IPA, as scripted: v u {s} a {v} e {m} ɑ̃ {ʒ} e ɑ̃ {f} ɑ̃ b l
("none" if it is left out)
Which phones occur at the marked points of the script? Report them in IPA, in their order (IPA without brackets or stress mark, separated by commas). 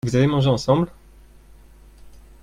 z, v, m, ʒ, s